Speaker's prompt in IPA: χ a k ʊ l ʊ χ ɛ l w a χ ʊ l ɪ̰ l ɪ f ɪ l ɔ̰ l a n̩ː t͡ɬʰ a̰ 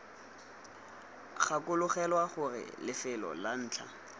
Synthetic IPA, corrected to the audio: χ a k ʊ l ʊ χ ɛ l w a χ ʊ r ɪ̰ l ɪ f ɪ l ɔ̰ l a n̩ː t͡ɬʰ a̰

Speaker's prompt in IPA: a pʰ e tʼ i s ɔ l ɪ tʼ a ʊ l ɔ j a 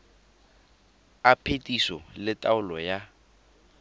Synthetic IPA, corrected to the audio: a pʰ e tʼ i s ɔ l ɪ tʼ a ʊ l ɔ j a

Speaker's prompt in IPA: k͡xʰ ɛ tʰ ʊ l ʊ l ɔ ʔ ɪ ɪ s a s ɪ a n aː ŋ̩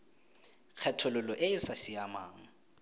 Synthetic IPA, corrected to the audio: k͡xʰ ɛ tʰ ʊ l ʊ l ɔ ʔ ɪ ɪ s a s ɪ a m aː ŋ̩

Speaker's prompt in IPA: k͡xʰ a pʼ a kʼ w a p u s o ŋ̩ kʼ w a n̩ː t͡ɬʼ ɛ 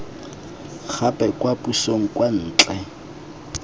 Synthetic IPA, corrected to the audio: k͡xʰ a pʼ ɛ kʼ w a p u s o ŋ̩ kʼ w a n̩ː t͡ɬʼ ɛ

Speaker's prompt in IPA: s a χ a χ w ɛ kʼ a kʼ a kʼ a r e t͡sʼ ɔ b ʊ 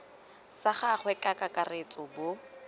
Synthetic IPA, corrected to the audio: s a χ a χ w ɛ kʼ a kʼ a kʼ a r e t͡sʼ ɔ b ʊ

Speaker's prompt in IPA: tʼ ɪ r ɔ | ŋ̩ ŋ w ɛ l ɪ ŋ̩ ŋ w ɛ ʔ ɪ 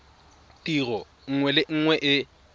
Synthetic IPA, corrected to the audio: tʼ i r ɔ | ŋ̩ ŋ w ɛ l ɪ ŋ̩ ŋ w ɛ ʔ ɪ

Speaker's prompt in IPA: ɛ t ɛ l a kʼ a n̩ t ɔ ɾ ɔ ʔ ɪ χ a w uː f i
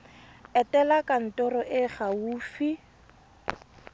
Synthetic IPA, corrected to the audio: ɛ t ɛ l a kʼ a n̩ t ɔ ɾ ɔ ʔ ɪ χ a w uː f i

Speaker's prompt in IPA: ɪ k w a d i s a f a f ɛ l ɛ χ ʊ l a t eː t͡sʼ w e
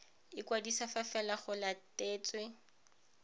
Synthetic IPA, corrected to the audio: ɪ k w a d i s a f a f ɛ l a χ ʊ l a t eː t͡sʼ w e

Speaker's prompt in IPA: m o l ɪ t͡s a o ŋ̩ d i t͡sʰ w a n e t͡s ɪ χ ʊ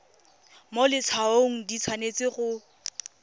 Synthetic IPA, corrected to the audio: m o l ɪ t͡sʰ a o ŋ̩ d i t͡sʰ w a n e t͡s ɪ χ ʊ

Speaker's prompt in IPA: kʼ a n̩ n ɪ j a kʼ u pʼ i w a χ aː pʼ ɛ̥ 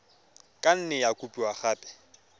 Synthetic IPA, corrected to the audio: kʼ a n̩ n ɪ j a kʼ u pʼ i w a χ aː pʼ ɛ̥

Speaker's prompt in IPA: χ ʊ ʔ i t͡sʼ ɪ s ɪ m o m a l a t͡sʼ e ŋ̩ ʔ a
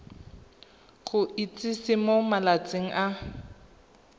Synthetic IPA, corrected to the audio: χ ʊ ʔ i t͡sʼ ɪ s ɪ m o m a l a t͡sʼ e ŋ̩ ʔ a

